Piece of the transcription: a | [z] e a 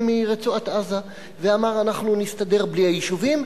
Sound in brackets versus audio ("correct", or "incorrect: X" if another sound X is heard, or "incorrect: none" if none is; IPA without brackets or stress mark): incorrect: v